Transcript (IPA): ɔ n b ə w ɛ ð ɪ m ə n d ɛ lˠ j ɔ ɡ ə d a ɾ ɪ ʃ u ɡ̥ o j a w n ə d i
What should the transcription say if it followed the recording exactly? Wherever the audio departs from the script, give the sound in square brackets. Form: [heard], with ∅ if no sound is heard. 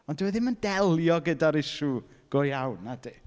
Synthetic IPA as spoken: ɔ n [d] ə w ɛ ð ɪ m ə n d ɛ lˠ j ɔ ɡ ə d a ɾ ɪ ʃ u ɡ̥ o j a w n [a] d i